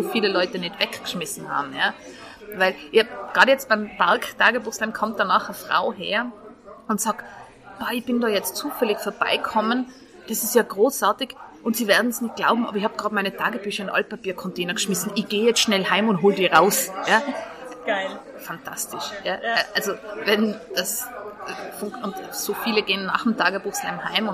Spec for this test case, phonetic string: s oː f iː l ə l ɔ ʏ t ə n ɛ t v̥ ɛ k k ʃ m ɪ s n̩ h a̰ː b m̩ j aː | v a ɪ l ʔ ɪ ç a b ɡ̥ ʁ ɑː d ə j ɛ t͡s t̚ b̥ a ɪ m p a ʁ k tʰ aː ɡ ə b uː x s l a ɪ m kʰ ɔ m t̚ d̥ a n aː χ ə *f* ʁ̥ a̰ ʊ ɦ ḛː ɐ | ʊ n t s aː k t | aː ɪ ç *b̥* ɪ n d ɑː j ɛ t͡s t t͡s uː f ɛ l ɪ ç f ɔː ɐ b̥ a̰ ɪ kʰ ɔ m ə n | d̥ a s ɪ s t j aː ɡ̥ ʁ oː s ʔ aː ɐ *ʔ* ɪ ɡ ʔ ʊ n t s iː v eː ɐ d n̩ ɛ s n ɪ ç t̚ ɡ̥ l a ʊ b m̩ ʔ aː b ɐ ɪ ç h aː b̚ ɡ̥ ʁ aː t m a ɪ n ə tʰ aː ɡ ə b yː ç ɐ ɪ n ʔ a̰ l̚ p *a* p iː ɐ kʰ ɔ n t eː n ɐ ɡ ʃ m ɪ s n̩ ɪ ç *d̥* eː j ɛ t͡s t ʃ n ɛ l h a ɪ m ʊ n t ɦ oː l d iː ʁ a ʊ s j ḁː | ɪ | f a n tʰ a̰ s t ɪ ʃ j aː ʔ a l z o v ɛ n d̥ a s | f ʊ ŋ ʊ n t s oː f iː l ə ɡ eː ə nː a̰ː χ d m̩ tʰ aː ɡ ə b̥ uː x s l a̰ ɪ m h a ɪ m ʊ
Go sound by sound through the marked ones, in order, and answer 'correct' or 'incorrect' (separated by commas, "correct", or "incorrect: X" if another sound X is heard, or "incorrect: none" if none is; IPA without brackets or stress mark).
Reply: correct, correct, incorrect: t, correct, incorrect: ɡ̥